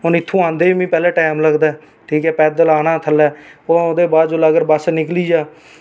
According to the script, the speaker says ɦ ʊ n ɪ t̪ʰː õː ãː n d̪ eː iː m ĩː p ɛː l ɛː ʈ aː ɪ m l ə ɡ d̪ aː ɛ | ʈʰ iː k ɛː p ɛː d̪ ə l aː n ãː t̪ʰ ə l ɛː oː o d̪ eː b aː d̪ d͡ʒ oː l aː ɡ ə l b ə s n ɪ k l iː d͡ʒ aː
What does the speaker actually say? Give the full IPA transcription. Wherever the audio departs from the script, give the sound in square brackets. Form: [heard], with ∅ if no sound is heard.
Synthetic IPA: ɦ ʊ n ɪ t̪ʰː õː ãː n d̪ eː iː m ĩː p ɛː l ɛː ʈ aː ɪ m l ə ɡ d̪ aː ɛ | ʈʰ iː k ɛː p ɛː d̪ ə l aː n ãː t̪ʰ ə l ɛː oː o d̪ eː b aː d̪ d͡ʒ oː l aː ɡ ə [ɾ] b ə s n ɪ k l iː d͡ʒ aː